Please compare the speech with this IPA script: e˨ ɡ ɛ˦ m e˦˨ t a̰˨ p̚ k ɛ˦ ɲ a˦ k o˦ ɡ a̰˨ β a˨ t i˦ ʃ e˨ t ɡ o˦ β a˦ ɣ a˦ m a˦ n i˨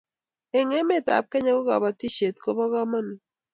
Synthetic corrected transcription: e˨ ŋ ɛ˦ m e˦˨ t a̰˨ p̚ k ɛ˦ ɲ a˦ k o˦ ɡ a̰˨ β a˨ t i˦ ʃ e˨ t k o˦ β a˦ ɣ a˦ m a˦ n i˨